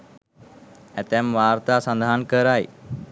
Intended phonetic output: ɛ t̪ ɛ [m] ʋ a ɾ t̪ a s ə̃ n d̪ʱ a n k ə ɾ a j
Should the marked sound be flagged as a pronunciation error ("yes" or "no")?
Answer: no